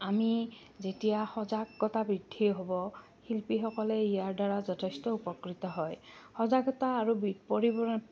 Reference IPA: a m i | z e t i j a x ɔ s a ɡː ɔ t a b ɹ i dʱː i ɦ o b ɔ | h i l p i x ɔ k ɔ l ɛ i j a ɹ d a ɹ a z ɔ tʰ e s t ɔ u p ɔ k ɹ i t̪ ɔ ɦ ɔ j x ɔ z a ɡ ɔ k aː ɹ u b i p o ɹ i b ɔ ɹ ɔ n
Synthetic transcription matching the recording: a m i | z e t i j a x ɔ z a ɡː ɔ t a b ɹ i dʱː i ɦ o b ɔ | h i l p i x ɔ k ɔ l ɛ i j a ɹ d a ɹ a z ɔ tʰ e s t ɔ u p ɔ k ɹ i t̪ ɔ ɦ ɔ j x ɔ z a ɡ ɔ t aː ɹ u b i p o ɹ i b ɔ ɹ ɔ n